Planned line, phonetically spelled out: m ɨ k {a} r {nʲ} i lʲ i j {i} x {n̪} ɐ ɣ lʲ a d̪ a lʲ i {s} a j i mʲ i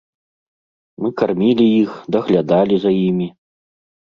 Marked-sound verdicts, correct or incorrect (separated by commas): correct, incorrect, correct, incorrect, incorrect